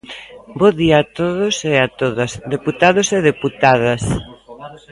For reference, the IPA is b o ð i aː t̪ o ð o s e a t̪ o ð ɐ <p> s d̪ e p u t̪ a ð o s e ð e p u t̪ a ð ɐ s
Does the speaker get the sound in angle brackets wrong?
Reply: yes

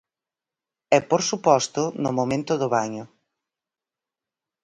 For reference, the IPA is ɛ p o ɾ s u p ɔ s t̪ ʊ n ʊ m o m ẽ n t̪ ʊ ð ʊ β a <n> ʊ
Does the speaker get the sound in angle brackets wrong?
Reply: yes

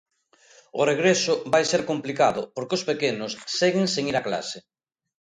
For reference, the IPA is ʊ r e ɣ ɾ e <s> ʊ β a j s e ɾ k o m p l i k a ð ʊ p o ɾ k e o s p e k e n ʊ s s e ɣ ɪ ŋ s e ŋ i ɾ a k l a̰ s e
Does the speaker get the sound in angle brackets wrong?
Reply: no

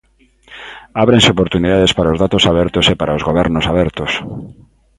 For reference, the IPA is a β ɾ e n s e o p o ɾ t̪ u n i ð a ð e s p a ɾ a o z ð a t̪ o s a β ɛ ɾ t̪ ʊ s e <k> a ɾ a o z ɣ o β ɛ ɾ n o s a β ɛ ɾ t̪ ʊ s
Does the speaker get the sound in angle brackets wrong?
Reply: yes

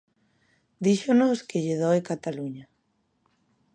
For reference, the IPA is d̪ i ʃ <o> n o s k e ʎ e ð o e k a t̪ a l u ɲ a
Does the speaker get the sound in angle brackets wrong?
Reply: no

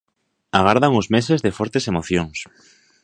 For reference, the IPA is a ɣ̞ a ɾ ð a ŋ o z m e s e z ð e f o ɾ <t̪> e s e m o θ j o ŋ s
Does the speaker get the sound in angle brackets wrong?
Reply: no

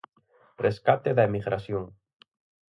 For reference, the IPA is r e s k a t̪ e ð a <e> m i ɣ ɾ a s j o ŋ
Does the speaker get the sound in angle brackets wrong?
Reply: no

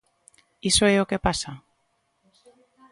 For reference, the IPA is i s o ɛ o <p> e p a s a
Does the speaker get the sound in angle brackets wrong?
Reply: yes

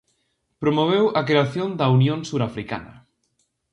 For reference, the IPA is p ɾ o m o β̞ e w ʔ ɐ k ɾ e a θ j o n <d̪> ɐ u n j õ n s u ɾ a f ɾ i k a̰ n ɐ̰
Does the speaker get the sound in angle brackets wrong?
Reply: no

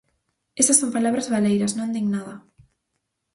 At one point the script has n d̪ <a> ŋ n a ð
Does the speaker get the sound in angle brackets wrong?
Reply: yes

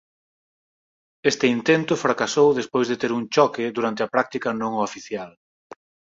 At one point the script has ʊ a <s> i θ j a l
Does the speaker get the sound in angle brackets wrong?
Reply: yes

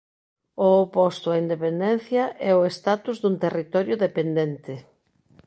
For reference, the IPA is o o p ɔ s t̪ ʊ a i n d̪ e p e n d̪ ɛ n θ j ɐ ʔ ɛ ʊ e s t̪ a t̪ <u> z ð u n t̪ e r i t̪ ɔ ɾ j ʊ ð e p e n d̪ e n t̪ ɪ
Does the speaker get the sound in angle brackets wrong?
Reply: no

